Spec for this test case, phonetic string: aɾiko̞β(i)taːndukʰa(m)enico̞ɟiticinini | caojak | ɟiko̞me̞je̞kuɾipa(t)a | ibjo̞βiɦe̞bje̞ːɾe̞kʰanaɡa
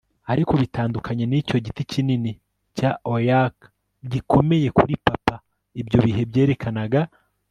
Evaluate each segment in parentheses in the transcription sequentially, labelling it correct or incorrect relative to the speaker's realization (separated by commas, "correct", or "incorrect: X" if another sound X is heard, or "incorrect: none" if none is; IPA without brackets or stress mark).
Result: correct, incorrect: ɲ, incorrect: p